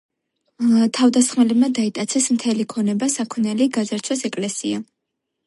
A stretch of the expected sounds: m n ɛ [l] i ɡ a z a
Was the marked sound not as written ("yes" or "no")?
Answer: no